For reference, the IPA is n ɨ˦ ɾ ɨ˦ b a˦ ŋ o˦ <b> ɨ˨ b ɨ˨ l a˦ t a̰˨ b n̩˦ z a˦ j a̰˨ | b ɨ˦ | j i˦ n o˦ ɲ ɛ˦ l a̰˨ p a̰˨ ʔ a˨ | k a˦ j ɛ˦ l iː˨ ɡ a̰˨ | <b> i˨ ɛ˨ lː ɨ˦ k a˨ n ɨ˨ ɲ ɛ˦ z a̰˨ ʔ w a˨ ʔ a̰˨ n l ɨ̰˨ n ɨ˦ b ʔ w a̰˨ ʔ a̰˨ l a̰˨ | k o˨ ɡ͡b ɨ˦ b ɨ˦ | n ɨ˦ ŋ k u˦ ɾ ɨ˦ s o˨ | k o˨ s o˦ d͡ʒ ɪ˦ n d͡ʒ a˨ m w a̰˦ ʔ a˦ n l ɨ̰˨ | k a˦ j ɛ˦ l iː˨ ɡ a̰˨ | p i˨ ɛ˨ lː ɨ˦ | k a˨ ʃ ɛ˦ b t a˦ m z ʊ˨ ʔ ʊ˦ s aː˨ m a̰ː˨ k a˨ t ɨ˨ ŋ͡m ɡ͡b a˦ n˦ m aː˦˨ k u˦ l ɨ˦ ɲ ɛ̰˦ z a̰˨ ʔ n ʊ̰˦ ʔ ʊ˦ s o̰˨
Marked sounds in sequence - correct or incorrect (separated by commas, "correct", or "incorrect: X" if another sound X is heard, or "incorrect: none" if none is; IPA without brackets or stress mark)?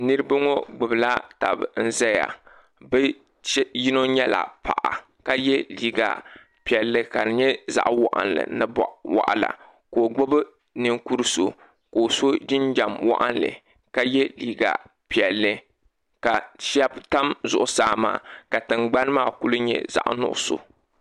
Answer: incorrect: ɡ͡b, incorrect: p